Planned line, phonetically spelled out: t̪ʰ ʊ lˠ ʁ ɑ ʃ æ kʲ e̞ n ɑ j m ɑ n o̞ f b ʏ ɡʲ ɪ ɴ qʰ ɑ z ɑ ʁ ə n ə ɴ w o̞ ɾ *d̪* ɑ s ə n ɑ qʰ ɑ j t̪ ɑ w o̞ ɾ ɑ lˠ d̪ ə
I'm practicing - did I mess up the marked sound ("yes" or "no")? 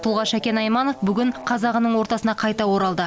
yes